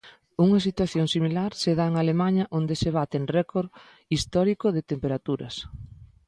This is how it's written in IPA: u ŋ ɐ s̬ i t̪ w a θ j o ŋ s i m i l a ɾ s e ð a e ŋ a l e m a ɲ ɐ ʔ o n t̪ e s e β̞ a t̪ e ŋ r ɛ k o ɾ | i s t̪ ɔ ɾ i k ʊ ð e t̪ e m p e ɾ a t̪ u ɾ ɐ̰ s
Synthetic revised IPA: u ŋ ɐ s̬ i t̪ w a θ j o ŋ s i m i l a ɾ s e ð a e ŋ a l e m a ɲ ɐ ʔ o n d̪ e s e β̞ a t̪ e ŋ r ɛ k o ɾ | i s t̪ ɔ ɾ i k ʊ ð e t̪ e m p e ɾ a t̪ u ɾ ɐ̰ s